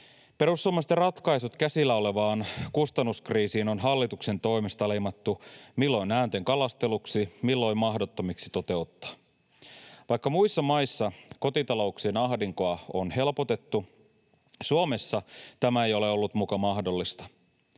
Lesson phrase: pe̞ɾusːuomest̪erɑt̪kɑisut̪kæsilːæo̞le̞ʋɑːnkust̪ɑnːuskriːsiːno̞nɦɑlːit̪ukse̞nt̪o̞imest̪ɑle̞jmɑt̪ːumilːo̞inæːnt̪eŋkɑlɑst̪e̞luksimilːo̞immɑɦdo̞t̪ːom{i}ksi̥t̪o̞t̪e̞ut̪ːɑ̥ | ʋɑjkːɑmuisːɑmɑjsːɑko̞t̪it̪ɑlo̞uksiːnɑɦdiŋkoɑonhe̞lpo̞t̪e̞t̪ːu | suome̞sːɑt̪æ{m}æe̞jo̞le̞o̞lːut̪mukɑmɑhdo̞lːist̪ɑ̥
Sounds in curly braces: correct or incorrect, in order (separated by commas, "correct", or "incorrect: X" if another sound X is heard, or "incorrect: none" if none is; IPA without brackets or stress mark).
correct, correct